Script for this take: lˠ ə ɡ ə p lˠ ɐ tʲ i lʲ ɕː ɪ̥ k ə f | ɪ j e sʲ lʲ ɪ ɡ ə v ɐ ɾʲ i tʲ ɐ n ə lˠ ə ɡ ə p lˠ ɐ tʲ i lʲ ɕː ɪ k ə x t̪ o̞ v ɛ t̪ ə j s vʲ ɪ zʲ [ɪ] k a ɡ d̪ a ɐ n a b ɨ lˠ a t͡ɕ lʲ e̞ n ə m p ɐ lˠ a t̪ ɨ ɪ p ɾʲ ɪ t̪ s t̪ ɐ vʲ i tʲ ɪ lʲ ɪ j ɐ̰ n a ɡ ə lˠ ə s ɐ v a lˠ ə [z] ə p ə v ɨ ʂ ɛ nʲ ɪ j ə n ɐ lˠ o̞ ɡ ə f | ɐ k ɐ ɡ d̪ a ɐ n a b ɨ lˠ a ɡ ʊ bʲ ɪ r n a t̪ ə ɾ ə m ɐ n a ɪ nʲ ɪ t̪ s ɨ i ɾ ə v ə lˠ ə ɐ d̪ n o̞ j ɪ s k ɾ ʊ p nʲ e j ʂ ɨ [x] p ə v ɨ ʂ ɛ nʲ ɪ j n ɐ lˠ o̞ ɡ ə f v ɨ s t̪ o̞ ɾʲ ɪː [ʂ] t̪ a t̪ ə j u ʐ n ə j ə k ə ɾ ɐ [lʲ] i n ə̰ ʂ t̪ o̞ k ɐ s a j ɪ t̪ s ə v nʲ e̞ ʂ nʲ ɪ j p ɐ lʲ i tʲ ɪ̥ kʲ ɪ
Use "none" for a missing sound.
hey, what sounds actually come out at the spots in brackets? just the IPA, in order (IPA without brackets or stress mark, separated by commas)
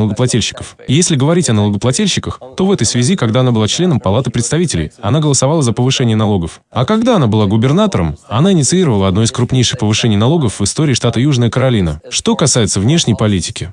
i, z, x, ʂ, lʲ